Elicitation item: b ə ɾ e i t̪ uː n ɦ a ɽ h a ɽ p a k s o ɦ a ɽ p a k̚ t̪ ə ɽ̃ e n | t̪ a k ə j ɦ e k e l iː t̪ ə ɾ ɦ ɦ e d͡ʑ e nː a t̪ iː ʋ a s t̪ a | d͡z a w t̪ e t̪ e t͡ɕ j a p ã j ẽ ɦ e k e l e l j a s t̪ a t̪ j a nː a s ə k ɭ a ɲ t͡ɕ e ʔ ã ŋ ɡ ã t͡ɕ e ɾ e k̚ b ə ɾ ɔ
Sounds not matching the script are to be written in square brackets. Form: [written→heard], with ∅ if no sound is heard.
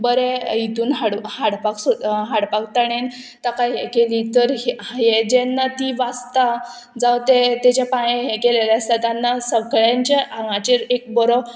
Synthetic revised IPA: b ə ɾ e i t̪ uː n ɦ a ɽ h a ɽ p a k s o ɦ a ɽ p a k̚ t̪ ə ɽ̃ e n | t̪ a k [ə→a] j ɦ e k e l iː t̪ ə ɾ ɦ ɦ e d͡ʑ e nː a t̪ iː ʋ a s t̪ a | d͡z a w t̪ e t̪ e t͡ɕ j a p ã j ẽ ɦ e k e l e l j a s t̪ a t̪ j a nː a s ə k ɭ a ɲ t͡ɕ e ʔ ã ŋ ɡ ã t͡ɕ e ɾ e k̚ b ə ɾ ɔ